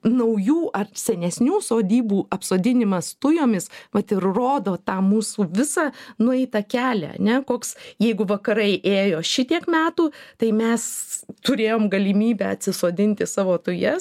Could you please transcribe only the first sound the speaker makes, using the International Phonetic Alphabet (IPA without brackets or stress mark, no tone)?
n